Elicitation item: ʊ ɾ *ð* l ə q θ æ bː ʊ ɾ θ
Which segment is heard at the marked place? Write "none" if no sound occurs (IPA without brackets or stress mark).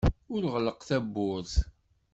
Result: ʁ